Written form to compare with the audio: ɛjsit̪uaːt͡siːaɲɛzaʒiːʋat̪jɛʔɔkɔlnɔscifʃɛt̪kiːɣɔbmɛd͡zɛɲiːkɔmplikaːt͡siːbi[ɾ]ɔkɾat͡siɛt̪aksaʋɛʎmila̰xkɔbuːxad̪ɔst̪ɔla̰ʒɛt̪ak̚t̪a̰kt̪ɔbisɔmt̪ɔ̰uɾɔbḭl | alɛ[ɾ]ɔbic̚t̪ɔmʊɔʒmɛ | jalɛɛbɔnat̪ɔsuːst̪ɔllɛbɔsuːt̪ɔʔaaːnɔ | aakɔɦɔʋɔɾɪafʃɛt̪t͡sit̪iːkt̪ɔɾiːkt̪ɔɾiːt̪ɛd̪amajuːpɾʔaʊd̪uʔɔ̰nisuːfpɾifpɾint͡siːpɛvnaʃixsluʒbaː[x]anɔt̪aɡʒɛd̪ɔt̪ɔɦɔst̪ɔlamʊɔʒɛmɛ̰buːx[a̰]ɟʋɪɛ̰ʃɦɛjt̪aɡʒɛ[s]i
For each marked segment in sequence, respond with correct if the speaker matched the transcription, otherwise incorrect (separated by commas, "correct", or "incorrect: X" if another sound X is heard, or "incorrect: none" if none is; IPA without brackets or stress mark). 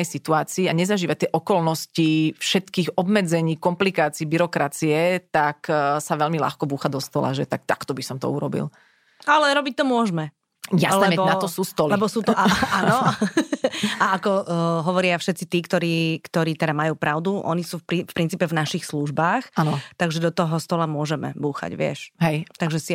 correct, correct, correct, correct, correct